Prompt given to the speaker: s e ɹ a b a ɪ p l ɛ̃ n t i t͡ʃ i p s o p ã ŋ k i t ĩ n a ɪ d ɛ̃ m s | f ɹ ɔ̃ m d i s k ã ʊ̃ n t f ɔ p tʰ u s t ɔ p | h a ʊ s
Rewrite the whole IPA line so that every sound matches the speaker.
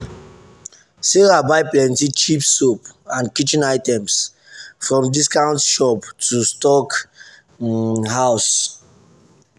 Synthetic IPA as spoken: s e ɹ a b a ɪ p l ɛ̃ n t i t͡ʃ i p s o p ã n k i t͡ʃ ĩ n a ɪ t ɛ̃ m s | f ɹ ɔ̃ m d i s k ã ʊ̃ n t ʃ ɔ p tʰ u s t ɔ k | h a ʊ s